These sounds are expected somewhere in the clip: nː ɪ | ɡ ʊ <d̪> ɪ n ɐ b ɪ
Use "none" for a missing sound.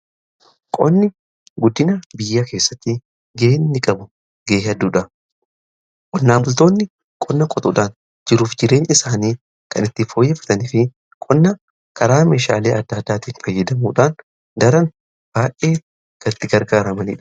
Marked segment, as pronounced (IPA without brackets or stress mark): d̪ː